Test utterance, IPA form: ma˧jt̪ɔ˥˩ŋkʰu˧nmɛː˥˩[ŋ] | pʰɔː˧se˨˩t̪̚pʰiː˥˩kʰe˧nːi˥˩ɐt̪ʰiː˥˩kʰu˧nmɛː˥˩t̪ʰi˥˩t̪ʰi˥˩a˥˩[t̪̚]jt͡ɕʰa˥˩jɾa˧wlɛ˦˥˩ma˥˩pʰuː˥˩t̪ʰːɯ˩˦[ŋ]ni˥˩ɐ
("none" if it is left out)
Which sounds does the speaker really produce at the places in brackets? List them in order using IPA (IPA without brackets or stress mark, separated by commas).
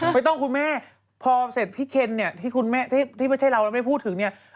none, none, ŋ